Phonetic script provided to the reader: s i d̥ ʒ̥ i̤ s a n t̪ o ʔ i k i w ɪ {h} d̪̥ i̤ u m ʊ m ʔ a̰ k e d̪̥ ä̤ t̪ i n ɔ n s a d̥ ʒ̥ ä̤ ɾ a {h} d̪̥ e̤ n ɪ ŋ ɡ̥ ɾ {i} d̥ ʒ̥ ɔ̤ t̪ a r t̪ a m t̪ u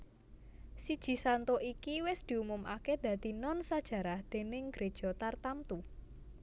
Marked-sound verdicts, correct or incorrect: incorrect, correct, incorrect

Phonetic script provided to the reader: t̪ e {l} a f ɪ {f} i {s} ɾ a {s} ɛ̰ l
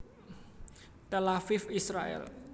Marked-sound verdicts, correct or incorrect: correct, correct, correct, incorrect

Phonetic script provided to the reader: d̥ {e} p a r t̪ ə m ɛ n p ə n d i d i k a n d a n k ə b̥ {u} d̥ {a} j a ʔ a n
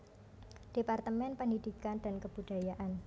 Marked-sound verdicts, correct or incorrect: correct, correct, correct

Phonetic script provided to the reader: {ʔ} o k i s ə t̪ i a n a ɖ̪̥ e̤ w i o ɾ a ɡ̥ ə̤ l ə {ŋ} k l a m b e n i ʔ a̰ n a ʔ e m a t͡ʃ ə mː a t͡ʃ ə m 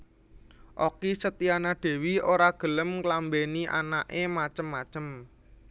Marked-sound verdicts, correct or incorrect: correct, incorrect

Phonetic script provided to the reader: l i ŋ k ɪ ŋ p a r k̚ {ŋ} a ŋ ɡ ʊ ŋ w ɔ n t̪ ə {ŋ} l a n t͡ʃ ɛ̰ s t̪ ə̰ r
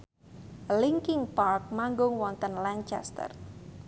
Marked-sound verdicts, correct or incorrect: incorrect, incorrect

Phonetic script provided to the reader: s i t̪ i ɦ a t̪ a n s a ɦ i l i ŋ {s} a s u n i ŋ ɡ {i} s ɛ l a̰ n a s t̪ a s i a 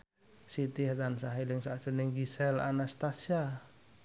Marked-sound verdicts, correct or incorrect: correct, correct

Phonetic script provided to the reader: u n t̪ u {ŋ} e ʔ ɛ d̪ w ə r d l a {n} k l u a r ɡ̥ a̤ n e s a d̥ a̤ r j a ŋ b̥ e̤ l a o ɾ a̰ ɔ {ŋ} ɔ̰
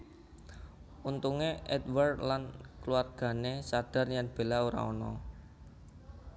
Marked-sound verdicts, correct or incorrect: correct, correct, incorrect

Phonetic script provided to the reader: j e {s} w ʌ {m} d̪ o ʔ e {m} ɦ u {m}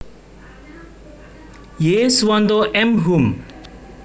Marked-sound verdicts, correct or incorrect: correct, incorrect, correct, correct

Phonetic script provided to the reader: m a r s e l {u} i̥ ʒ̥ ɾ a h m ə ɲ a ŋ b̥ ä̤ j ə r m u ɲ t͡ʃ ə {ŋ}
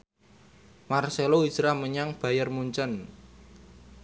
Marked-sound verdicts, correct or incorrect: incorrect, incorrect

